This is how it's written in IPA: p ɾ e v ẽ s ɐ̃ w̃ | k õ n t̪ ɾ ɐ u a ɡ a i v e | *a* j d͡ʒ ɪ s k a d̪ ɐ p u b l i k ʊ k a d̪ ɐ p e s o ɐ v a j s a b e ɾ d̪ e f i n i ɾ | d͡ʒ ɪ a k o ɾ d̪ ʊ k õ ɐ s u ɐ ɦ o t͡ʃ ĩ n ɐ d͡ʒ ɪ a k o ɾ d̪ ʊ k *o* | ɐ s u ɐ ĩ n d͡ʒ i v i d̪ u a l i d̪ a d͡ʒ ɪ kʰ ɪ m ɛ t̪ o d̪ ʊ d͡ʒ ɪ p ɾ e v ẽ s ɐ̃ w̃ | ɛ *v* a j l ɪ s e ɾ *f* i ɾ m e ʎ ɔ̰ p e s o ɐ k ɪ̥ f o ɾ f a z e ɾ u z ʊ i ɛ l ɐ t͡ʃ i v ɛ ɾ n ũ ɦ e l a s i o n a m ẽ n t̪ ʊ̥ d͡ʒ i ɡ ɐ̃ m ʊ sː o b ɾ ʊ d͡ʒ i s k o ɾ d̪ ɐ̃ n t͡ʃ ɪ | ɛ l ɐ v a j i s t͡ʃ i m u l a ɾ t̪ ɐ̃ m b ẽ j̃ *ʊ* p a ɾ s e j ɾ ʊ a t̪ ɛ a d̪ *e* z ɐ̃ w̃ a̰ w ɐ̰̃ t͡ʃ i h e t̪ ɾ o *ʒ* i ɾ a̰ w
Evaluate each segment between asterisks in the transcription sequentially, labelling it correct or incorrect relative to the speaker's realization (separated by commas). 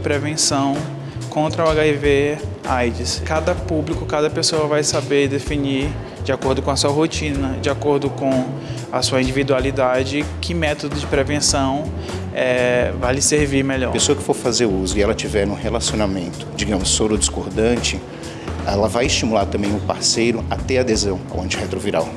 correct, incorrect, correct, incorrect, correct, correct, incorrect